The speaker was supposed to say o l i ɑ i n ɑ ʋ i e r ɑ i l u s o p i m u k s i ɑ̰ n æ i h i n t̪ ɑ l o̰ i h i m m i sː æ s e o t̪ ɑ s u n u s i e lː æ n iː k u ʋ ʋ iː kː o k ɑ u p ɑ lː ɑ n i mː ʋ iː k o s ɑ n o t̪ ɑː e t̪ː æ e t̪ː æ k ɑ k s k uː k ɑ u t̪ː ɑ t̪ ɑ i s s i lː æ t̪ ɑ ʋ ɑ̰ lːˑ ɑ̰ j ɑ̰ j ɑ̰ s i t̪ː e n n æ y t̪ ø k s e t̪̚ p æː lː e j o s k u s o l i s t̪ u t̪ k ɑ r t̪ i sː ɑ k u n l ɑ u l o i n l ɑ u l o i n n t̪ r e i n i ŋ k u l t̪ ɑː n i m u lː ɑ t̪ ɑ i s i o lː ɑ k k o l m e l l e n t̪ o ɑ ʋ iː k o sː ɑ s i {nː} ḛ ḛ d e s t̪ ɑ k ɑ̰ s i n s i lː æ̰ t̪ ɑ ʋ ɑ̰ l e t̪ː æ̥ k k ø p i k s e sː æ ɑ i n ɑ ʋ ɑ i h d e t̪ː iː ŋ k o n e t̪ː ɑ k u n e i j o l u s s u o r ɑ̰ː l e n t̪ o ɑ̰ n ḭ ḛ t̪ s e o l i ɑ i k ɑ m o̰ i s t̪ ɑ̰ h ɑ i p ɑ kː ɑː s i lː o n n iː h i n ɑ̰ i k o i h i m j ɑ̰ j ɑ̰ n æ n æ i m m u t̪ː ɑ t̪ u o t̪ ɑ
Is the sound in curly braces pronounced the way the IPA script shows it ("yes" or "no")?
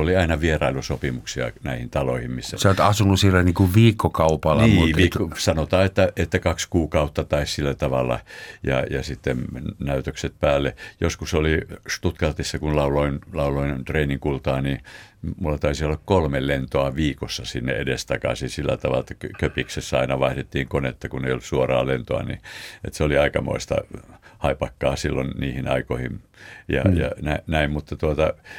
yes